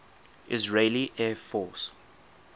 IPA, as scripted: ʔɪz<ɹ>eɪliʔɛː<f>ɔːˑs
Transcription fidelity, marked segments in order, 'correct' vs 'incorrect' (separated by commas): correct, correct